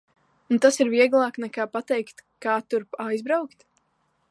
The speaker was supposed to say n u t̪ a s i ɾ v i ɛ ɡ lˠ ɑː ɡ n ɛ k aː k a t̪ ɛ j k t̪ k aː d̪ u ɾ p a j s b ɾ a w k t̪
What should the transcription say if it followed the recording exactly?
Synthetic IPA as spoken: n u t̪ a s i ɾ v i ɛ ɡ lˠ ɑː k n ɛ k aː p a t̪ ɛ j k t̪ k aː t̪ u ɾ p a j z b ɾ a w k t̪